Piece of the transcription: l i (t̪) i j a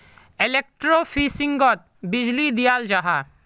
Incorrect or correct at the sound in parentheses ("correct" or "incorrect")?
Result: incorrect